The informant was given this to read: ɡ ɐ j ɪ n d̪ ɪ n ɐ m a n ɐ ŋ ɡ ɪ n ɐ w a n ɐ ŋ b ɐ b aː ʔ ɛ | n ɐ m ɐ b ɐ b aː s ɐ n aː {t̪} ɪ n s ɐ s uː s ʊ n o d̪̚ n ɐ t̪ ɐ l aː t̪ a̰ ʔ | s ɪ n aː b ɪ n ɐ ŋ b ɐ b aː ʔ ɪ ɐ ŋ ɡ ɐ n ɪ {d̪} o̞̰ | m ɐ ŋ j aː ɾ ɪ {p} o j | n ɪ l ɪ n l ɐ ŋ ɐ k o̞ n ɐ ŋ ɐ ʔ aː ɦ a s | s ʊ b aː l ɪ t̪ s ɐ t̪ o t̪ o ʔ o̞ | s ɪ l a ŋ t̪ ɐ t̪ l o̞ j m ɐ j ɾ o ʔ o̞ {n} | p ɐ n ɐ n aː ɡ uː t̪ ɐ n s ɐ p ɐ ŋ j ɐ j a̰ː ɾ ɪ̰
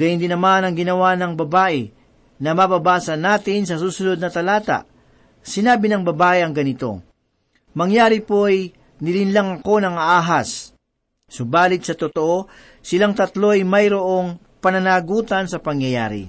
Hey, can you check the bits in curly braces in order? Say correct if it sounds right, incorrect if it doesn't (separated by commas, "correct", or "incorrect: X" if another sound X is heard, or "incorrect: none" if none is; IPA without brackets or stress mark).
correct, incorrect: t̪, correct, incorrect: ŋ